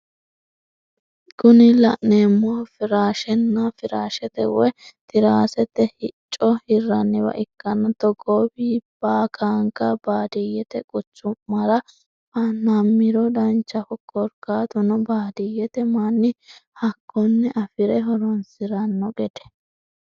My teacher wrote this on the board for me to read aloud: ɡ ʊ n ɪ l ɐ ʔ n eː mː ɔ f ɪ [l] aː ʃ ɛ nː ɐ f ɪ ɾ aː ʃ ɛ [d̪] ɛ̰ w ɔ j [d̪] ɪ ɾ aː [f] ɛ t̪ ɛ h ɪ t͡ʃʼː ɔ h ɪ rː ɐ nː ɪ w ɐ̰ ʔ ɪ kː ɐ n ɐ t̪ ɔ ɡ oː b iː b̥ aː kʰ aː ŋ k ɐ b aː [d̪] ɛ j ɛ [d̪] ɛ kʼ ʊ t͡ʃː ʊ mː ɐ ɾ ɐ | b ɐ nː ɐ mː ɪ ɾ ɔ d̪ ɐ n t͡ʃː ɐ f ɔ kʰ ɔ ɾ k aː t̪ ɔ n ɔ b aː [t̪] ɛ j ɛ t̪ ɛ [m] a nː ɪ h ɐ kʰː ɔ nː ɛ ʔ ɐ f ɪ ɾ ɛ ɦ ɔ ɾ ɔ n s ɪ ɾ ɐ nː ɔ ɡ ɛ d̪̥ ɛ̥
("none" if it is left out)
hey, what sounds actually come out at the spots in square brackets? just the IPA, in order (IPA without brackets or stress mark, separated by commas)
ɾ, t̪, t̪, s, d̪, t̪, d̪, m